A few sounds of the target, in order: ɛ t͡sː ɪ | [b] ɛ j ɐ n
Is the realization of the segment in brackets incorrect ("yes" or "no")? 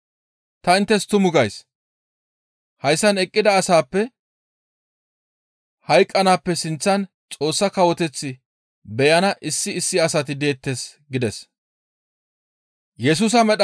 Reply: no